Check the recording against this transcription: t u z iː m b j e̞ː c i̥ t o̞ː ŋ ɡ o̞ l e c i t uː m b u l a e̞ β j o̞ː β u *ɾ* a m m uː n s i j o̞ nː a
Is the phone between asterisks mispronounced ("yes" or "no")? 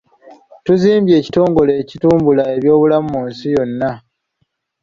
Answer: yes